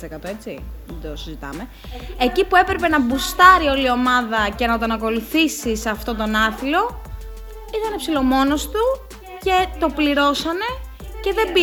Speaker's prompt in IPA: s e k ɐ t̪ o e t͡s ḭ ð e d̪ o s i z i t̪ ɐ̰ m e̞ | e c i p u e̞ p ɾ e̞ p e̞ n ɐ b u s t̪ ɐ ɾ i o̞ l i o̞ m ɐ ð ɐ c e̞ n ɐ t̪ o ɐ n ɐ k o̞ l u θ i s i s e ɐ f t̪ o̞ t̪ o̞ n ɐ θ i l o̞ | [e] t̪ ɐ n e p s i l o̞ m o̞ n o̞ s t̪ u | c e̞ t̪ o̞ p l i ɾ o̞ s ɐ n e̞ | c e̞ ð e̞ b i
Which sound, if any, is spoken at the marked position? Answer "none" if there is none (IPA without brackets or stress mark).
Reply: i